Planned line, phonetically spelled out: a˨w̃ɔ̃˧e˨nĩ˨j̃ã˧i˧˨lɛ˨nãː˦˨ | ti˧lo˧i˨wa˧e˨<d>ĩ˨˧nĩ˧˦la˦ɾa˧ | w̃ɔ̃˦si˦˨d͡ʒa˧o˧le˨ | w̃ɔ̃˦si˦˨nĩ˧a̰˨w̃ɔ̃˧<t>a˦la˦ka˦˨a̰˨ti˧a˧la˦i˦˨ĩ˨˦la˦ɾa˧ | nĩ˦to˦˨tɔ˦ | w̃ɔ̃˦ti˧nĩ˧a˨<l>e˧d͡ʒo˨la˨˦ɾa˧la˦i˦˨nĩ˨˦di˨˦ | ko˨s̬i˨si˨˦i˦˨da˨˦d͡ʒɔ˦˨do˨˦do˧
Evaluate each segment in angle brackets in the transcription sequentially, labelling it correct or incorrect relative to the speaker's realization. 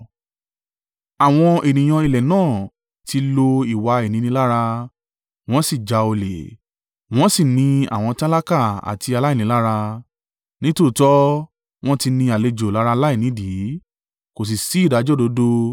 incorrect: n, correct, correct

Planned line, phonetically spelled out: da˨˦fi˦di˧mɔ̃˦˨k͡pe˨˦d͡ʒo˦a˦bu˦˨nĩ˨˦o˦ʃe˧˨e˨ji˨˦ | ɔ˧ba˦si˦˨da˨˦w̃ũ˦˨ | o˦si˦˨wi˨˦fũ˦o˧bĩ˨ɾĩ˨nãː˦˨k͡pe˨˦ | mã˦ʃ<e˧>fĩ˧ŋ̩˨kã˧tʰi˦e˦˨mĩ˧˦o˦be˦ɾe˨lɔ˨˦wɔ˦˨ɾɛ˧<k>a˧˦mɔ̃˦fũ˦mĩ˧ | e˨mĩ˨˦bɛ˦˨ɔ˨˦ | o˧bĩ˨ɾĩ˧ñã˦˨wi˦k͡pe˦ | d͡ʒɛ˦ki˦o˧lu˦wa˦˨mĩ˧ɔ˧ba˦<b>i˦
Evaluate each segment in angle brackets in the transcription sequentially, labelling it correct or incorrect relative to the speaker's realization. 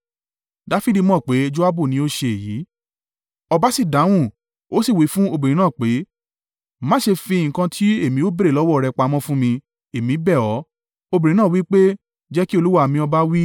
correct, incorrect: k͡p, incorrect: w

